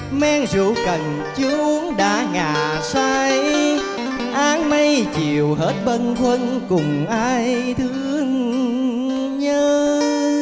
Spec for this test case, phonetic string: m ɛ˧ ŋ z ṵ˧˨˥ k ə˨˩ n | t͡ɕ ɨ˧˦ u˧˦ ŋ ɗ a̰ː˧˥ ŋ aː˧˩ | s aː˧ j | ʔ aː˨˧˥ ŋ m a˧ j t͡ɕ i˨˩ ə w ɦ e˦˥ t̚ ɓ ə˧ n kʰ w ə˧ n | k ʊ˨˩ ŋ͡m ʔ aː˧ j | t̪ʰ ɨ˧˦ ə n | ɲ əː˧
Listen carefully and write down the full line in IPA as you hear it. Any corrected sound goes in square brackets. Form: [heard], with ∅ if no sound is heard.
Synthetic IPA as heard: m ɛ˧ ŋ z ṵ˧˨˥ k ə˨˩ n | t͡ɕ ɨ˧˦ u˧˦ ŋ ɗ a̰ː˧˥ ŋ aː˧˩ | s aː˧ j | ʔ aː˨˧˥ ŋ m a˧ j t͡ɕ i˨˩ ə w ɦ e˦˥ t̚ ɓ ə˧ n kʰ w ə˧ n | k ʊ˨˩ ŋ͡m ʔ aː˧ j | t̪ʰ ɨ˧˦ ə [ŋ] | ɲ əː˧